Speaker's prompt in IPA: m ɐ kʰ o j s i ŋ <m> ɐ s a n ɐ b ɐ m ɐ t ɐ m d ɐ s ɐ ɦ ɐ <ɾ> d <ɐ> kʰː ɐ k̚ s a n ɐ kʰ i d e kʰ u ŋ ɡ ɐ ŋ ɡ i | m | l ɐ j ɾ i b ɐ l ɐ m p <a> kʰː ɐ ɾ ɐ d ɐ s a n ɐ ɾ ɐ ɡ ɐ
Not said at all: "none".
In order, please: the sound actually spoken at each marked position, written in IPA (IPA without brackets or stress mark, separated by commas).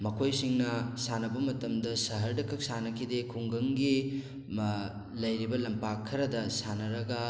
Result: n, ɾ, ɐ, a